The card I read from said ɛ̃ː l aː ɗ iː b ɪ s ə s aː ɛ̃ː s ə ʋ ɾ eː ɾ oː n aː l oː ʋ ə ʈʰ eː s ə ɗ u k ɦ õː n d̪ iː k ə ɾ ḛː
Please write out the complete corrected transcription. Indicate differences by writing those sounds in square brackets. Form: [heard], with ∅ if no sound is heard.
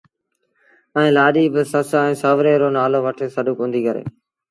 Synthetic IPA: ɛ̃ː l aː ɗ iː b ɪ s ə s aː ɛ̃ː s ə ʋ ɾ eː ɾ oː n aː l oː ʋ ə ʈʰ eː s ə ɗ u k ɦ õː n d̪ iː k ə ɾ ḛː